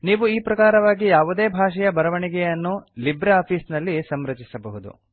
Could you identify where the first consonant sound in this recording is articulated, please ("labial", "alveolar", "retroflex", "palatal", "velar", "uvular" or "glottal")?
alveolar